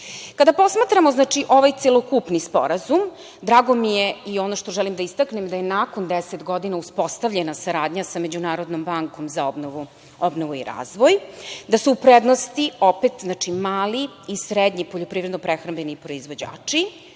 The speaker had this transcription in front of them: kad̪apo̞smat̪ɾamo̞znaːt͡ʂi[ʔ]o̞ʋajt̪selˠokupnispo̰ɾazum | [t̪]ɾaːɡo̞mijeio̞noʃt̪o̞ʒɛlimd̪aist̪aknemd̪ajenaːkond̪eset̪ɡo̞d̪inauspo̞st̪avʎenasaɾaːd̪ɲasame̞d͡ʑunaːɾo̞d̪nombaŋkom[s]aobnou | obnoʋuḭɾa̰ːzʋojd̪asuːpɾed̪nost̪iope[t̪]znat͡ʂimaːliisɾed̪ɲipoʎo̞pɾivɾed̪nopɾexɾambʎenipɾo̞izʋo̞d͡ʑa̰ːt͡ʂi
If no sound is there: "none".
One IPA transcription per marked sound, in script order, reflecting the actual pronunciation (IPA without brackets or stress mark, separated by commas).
ʔ, d̪, z, t̪